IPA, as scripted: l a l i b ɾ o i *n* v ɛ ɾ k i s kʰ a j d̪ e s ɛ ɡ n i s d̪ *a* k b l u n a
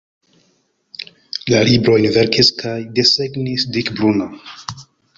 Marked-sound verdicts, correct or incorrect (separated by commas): correct, incorrect